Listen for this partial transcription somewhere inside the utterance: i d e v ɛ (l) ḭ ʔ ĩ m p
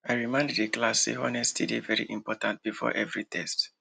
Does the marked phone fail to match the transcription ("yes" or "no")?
yes